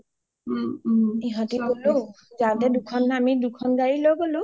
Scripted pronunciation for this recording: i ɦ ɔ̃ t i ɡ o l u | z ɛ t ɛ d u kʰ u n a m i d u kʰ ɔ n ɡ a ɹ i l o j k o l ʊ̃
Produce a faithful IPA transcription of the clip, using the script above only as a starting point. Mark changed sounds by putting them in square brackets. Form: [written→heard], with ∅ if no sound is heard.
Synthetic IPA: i ɦ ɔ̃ t i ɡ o l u | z [ɛ→a] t ɛ d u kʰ [u→ɔ] n a m i d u kʰ ɔ n ɡ a ɹ i l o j [k→ɡ] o l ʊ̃